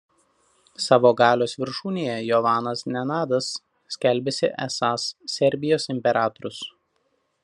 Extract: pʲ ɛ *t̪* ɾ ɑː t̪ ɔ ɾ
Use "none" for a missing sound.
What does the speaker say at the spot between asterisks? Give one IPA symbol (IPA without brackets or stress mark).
none